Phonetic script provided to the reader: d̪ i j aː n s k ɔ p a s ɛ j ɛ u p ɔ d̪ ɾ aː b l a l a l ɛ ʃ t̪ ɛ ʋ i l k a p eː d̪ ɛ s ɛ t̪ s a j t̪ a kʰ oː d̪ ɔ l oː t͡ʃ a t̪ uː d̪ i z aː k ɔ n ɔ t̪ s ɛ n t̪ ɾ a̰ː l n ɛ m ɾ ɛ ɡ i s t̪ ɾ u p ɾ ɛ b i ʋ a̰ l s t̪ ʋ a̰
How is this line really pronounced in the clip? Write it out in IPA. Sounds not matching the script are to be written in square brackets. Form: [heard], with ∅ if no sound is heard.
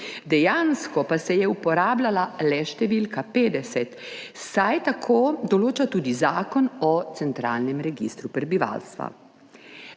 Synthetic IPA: d̪ [ɛ] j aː n s k ɔ p a s ɛ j ɛ u p ɔ [∅] ɾ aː b l a l a l ɛ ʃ t̪ ɛ ʋ i l k a p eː d̪ ɛ s ɛ t̪ s a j t̪ a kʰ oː d̪ ɔ l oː t͡ʃ a t̪ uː d̪ i z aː k ɔ n ɔ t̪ s ɛ n t̪ ɾ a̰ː l n ɛ m ɾ ɛ ɡ i s t̪ ɾ u p ɾ ɛ b i ʋ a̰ l s t̪ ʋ a̰